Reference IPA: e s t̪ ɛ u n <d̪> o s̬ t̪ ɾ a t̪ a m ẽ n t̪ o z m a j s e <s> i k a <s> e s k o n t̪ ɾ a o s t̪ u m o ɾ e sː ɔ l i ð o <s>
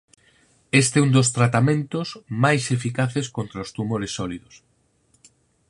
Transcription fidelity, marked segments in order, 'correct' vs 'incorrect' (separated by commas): correct, incorrect, incorrect, correct